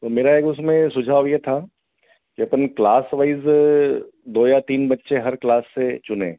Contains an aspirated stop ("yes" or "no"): yes